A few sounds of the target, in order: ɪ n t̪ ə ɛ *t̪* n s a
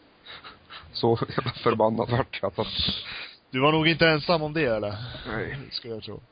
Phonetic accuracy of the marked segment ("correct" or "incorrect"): incorrect